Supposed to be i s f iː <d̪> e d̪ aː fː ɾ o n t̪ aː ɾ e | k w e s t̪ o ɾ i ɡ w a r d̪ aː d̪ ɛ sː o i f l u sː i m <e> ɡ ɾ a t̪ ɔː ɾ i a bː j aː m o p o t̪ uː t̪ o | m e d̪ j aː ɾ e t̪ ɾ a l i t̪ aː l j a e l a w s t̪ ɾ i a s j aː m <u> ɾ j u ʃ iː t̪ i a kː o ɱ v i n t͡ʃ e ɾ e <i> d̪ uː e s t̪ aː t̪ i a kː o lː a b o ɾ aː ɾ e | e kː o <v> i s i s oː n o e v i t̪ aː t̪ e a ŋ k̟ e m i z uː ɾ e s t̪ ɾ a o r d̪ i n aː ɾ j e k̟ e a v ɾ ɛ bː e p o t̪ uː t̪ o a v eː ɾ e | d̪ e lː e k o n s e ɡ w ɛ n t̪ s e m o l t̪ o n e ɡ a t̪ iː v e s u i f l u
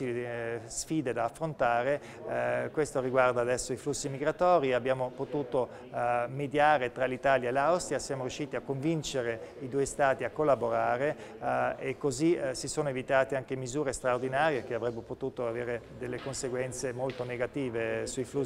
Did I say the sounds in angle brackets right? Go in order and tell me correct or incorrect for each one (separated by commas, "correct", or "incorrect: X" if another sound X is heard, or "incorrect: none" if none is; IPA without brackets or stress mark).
correct, incorrect: i, incorrect: o, correct, incorrect: z